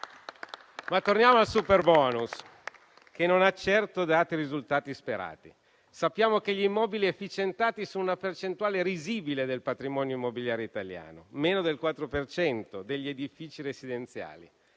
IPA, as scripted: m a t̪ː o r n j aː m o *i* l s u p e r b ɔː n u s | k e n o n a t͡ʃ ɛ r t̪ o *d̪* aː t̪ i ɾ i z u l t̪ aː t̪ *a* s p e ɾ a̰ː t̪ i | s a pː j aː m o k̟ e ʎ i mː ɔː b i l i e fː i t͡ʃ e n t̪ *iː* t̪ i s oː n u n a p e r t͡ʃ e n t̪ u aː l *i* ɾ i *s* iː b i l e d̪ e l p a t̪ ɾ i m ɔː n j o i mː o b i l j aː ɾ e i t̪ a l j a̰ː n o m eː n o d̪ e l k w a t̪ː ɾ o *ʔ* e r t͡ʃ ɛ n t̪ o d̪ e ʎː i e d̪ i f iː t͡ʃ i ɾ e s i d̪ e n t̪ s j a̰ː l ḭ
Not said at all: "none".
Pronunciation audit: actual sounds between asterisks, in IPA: a, d̪, i, aː, e, z, p

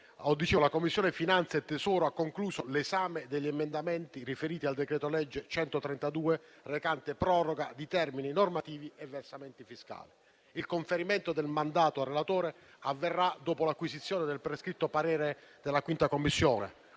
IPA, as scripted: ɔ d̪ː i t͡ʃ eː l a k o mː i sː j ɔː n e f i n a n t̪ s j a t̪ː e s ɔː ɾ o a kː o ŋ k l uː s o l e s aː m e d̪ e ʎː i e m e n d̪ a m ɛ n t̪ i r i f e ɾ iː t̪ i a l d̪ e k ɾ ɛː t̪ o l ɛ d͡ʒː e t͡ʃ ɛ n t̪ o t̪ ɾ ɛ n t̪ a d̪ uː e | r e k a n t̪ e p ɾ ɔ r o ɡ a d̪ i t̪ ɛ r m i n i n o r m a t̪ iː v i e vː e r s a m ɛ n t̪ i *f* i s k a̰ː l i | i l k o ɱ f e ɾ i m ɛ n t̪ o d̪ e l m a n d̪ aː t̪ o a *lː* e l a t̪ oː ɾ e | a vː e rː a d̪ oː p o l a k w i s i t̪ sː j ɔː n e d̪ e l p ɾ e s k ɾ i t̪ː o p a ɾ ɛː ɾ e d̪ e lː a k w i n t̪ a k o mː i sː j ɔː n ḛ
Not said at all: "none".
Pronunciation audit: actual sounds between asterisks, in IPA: f, rː

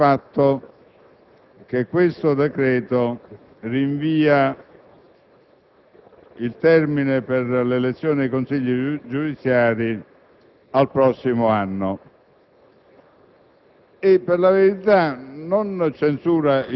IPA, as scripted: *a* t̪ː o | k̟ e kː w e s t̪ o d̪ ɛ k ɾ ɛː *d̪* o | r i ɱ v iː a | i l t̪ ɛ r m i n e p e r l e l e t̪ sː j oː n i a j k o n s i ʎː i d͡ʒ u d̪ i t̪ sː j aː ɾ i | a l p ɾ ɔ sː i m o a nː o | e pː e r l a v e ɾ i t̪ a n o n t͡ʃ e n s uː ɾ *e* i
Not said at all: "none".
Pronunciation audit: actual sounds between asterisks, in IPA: a, t̪, a

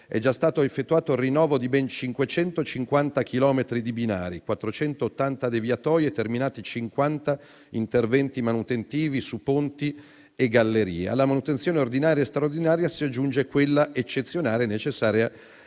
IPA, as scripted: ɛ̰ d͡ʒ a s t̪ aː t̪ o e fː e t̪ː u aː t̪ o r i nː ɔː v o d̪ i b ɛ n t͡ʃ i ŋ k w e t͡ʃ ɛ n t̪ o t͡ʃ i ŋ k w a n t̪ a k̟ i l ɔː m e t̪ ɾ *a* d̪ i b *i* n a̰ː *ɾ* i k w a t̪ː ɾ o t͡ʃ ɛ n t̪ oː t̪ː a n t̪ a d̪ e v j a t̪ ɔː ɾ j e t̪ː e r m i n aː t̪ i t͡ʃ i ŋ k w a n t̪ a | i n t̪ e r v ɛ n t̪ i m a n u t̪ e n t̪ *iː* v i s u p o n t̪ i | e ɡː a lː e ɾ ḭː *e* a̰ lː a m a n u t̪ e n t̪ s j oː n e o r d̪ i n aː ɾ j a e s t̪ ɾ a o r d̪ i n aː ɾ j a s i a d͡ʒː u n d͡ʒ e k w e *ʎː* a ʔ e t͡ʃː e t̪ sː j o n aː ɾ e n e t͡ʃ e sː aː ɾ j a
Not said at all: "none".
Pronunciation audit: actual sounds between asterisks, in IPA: i, i, ɾ, iː, e, lː

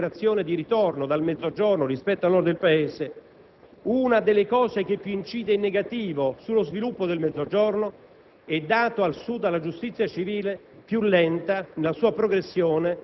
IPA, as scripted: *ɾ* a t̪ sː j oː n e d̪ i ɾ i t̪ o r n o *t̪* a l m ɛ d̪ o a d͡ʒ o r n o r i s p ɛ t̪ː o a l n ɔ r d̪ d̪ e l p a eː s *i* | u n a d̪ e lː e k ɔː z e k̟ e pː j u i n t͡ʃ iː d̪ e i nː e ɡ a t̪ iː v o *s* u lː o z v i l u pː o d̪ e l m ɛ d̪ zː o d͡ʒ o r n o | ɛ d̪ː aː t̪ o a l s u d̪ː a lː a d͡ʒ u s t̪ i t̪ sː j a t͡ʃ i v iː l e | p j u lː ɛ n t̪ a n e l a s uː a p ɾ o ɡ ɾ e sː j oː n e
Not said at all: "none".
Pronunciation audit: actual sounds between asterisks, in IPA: ɾ, d̪, e, s

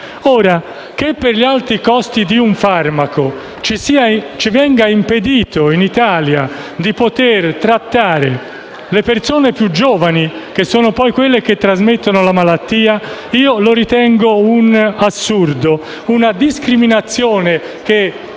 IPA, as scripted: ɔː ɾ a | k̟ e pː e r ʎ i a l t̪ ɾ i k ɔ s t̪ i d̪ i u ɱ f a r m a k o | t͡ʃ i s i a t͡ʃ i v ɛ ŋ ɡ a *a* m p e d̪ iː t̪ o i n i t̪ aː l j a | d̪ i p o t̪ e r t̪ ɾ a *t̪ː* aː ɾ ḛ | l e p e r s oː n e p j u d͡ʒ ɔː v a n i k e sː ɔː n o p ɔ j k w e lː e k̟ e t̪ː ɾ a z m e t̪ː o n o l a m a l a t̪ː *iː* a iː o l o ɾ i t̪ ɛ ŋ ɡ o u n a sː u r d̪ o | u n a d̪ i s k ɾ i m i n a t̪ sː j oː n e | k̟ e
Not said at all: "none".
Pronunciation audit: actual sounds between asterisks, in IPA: i, t̪ː, iː

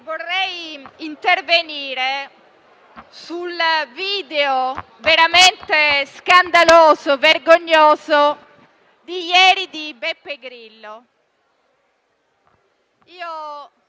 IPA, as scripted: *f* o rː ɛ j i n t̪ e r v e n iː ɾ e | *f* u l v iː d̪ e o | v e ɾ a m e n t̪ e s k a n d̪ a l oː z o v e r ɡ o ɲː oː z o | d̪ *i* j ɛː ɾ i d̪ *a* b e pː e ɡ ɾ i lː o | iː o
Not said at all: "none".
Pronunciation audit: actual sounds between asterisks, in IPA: v, s, i, i

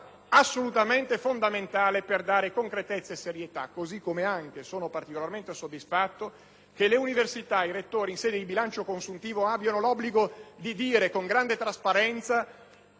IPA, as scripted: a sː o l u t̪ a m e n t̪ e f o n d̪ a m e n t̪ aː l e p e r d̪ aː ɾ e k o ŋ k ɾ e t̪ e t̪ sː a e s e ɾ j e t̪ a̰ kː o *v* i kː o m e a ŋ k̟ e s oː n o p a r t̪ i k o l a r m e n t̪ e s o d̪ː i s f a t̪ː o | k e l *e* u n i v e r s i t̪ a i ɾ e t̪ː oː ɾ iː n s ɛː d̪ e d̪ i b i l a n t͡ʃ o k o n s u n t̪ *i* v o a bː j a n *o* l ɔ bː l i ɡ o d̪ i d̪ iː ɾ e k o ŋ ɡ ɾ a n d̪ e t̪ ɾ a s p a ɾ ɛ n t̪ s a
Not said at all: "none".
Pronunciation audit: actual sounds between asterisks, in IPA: z, e, iː, o

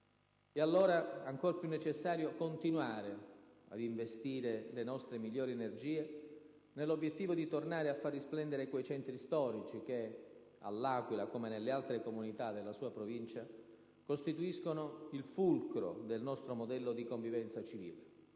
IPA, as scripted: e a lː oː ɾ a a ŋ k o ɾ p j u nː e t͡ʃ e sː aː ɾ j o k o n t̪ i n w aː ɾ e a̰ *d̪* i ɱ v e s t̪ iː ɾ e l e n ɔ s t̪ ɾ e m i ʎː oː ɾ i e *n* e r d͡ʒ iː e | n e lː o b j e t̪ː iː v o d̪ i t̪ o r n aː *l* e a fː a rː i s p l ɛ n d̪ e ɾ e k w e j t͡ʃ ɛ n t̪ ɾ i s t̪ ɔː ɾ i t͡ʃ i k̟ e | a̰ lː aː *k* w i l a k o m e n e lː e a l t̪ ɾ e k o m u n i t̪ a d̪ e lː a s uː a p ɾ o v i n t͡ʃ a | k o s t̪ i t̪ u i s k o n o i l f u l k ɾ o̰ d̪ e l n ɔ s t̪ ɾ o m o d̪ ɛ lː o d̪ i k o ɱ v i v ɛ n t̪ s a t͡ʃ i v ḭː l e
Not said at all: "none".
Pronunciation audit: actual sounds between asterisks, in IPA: d̪, n, ɾ, k

